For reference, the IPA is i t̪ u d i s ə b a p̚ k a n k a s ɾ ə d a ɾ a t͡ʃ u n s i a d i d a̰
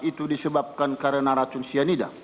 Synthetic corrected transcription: i t̪ u d i s ə b a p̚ k a n k a ɾ ə n a ɾ a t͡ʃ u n s i a n i d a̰